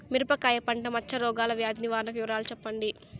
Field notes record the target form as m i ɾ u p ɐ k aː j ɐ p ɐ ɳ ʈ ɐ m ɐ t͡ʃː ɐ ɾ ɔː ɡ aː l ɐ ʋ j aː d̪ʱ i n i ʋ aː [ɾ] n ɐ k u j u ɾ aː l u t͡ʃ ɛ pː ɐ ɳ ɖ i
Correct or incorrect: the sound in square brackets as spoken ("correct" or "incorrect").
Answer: correct